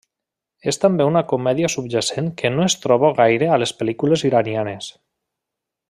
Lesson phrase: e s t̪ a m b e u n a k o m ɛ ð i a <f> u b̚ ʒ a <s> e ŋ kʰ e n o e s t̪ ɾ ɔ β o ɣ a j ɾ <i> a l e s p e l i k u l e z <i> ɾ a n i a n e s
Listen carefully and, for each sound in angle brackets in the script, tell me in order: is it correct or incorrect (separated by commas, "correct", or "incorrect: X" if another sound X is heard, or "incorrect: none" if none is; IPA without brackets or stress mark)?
incorrect: s, correct, incorrect: e, correct